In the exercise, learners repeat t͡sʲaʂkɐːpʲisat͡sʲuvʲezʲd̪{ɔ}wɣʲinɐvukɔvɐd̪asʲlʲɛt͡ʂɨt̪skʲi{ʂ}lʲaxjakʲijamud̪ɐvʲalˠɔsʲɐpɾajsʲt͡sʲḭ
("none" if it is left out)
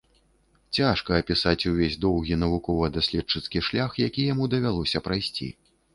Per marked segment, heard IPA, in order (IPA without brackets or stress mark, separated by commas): ɔ, ʂ